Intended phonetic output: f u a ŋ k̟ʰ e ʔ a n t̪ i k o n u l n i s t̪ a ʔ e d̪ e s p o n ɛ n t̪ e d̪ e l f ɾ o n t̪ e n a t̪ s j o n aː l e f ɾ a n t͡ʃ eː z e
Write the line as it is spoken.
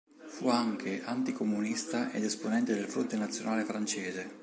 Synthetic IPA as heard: f u a ŋ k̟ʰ e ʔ a n t̪ i k o m u n i s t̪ a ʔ e d̪ e s p o n ɛ n t̪ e d̪ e l f ɾ o n t̪ e n a t̪ s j o n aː l e f ɾ a n t͡ʃ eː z e